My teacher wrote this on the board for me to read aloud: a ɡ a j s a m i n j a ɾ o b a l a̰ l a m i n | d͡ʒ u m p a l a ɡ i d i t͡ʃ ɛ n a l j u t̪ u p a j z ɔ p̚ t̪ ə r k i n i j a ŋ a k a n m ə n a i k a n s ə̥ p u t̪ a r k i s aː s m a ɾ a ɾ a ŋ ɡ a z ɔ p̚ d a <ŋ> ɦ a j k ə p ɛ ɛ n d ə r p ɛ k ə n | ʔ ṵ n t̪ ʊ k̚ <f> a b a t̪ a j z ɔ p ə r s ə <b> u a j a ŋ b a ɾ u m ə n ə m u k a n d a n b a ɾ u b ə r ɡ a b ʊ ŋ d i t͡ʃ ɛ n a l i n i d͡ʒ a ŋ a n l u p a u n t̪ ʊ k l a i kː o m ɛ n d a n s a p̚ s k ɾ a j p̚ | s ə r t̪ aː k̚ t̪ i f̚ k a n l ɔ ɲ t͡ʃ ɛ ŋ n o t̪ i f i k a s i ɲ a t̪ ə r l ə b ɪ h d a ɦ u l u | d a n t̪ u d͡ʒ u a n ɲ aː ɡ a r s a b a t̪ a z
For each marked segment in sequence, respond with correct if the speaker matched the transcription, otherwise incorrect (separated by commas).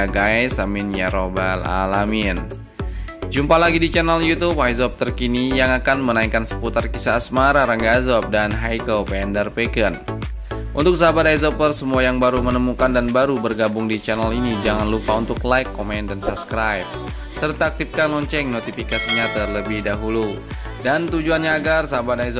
incorrect, incorrect, incorrect